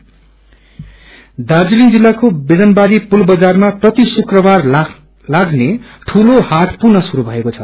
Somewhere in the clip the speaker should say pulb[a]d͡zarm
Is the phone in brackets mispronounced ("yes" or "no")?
yes